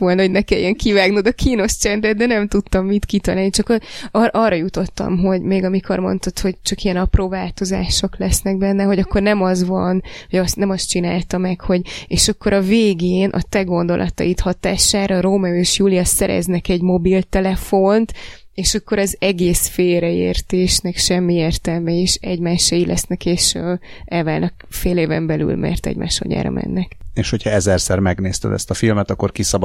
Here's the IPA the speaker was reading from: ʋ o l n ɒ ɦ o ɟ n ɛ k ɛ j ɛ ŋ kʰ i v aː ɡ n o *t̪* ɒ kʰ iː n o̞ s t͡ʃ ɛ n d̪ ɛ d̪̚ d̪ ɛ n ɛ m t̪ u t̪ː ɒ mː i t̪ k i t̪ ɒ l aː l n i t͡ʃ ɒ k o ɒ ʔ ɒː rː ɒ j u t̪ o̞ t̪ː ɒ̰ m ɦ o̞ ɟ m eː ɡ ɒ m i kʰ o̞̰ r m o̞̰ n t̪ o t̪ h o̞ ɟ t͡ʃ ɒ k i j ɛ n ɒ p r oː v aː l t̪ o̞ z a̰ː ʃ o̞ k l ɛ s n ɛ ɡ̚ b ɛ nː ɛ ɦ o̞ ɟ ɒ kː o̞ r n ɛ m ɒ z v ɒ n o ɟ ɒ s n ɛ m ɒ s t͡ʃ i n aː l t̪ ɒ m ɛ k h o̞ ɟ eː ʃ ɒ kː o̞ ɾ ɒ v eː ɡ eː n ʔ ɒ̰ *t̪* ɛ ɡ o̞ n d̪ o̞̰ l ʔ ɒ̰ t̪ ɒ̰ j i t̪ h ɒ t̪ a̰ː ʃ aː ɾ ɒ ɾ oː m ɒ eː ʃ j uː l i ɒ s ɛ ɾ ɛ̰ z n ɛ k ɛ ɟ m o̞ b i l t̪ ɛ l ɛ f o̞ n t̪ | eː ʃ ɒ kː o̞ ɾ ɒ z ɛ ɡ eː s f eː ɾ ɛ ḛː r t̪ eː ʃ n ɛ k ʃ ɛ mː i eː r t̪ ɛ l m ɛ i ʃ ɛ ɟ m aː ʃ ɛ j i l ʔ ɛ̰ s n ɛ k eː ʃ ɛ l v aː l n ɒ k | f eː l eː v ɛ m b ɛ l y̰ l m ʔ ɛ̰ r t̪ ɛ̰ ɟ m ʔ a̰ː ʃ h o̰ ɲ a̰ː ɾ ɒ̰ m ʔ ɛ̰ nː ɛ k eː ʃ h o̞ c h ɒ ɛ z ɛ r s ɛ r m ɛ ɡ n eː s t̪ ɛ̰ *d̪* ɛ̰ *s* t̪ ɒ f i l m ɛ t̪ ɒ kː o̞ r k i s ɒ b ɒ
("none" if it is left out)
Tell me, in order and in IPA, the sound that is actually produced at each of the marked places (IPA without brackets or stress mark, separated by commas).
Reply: d̪, t̪, d̪, s